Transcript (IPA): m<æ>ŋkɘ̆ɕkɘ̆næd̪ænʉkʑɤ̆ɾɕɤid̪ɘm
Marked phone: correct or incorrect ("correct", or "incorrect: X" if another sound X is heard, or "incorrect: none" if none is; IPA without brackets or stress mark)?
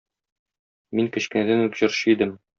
incorrect: i